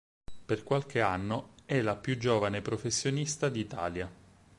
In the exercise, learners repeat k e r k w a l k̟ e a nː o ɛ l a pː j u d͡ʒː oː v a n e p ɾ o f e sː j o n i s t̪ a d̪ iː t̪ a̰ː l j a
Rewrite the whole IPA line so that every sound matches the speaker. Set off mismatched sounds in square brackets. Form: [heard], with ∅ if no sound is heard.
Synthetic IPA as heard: [p] e r k w a l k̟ e a nː o ɛ l a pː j u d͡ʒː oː v a n e p ɾ o f e sː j o n i s t̪ a d̪ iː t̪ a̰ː l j a